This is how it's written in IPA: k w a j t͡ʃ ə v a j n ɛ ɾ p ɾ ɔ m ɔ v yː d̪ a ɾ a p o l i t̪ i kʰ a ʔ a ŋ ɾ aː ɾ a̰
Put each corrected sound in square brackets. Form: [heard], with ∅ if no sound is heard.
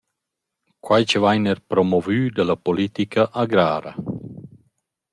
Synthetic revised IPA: k w a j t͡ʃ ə v a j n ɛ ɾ p ɾ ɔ m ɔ v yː d̪ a [l] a p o l i t̪ i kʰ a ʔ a [ɡ] ɾ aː ɾ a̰